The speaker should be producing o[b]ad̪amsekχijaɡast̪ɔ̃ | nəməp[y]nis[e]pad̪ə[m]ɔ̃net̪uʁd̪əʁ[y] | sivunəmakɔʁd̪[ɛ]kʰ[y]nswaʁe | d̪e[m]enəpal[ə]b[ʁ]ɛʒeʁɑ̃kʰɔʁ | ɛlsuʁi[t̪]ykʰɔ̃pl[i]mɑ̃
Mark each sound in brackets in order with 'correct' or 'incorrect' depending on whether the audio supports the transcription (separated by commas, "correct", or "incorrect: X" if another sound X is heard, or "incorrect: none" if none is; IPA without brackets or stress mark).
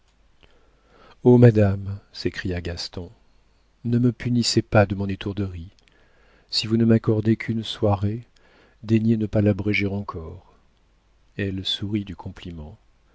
incorrect: m, correct, correct, correct, incorrect: i, incorrect: e, correct, incorrect: ɲ, incorrect: a, correct, incorrect: d̪, correct